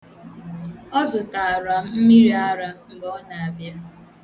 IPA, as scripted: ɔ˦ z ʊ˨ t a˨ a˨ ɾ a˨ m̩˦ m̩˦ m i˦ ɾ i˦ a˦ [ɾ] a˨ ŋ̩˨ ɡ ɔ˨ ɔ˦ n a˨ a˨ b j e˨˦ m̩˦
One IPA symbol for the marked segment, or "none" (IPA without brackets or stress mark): ɾ